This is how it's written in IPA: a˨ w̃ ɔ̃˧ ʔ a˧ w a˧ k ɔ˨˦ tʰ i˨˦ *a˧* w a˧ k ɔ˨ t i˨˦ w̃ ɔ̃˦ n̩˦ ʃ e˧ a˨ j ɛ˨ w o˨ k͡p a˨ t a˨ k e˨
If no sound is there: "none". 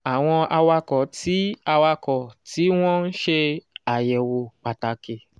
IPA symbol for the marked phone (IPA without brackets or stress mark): a˧